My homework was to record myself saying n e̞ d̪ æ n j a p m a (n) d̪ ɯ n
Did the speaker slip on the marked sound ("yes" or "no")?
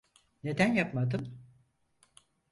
yes